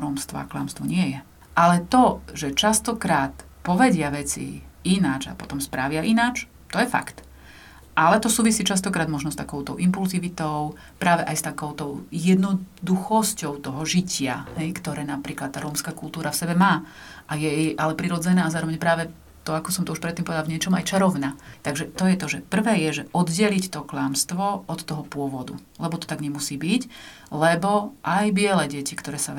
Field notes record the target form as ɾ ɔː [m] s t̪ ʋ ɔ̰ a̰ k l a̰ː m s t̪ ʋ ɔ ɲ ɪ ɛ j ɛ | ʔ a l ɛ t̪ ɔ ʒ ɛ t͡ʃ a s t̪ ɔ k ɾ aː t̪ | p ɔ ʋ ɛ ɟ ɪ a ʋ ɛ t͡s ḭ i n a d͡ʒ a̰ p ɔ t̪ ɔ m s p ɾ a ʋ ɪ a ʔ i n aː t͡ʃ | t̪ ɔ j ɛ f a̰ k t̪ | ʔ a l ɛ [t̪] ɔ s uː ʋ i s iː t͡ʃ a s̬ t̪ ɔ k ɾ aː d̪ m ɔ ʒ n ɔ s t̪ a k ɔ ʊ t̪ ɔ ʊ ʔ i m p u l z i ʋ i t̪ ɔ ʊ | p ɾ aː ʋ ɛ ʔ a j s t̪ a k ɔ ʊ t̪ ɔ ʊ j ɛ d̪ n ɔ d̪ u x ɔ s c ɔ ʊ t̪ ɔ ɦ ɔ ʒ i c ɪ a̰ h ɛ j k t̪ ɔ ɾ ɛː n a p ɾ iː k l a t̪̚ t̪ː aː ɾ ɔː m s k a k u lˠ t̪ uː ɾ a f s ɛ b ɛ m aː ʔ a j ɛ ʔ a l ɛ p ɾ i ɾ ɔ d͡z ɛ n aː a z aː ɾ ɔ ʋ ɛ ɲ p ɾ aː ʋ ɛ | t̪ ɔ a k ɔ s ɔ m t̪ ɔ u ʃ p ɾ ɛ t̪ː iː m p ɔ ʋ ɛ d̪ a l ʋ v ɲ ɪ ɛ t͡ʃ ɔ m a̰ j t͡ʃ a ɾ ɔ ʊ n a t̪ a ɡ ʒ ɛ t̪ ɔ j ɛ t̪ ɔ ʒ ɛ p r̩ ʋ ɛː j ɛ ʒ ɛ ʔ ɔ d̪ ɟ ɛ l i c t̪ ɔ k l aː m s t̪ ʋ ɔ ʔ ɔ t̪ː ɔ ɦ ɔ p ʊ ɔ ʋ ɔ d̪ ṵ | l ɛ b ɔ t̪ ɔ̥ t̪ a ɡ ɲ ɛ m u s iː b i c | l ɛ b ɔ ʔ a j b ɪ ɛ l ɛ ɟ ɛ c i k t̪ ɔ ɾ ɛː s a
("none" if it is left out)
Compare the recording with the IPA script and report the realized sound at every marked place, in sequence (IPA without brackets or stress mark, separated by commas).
m, t̪